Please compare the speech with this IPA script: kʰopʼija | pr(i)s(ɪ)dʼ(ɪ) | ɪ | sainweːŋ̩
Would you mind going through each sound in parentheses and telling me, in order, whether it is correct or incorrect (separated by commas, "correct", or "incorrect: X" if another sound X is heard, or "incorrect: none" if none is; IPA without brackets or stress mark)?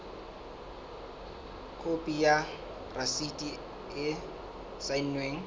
incorrect: a, incorrect: i, incorrect: i